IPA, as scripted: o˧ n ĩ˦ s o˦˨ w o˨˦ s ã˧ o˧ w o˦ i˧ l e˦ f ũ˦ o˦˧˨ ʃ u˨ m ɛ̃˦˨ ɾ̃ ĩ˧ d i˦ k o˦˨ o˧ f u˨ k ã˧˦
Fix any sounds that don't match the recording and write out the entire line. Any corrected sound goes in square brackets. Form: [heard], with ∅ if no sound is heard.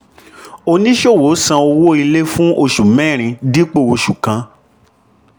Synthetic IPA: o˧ n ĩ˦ [ʃ] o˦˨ w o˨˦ s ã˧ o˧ w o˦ i˧ l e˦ f ũ˦ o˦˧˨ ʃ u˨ m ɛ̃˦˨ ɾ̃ ĩ˧ d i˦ [k͡p] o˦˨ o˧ [ʃ] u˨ k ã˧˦